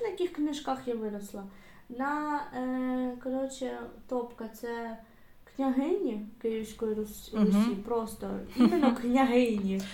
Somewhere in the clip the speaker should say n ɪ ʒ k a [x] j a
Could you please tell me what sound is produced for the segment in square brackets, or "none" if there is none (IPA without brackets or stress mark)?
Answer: x